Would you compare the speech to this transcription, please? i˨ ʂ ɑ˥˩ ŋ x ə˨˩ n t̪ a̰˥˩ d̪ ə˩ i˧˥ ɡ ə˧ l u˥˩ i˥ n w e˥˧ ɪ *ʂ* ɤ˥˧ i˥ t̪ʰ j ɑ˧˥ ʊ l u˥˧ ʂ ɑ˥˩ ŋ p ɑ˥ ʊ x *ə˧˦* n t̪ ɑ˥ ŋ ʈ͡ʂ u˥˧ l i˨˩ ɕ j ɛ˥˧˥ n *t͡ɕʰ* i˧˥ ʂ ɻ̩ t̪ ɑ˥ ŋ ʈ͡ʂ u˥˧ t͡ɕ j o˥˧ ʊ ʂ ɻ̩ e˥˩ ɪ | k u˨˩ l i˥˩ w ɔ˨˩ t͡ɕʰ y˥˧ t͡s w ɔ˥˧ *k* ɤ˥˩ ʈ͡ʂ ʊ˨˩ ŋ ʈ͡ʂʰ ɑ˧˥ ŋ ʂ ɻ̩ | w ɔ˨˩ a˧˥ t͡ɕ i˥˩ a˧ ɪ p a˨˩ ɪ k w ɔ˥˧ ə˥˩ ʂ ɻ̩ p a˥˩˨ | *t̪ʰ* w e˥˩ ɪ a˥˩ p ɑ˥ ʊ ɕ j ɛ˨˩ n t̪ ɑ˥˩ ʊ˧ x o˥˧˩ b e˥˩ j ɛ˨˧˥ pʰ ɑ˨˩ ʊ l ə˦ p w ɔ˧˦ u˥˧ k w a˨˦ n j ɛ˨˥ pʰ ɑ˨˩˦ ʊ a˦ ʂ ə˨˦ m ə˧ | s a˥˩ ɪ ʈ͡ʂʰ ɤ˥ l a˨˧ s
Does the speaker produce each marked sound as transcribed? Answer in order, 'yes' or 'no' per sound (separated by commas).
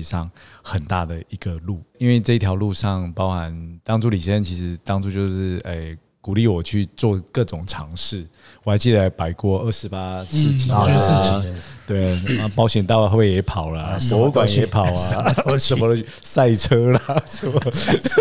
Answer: no, no, yes, yes, no